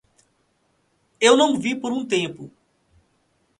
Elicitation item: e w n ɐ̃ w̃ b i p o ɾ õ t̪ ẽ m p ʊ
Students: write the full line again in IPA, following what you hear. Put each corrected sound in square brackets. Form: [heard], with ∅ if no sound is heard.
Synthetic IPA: e w n ɐ̃ w̃ [v] i p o ɾ [ũ] t̪ ẽ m p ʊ